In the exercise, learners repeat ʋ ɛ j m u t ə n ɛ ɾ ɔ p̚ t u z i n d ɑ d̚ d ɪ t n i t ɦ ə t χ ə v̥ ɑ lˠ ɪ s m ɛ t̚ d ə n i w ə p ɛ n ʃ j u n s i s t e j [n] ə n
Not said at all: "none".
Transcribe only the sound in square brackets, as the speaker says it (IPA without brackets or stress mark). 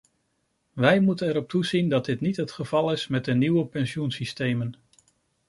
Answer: m